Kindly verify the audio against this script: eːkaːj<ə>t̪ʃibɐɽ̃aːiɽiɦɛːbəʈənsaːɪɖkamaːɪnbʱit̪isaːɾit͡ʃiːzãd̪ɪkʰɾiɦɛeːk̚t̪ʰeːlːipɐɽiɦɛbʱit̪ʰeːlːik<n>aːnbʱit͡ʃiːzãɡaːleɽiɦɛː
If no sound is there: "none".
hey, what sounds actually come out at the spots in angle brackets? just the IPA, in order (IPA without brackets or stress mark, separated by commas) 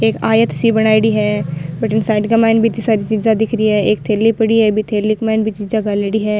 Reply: ə, m